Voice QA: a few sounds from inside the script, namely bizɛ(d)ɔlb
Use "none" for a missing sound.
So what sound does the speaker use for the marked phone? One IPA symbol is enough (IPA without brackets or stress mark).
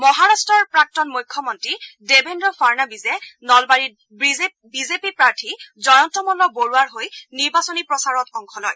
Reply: n